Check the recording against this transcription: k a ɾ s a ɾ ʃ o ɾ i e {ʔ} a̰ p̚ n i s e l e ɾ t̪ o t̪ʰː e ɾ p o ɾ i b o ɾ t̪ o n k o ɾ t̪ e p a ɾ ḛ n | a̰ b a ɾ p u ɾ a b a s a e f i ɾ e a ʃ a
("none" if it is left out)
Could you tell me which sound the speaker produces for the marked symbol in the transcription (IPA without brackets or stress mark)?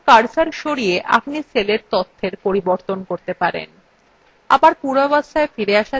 ʔ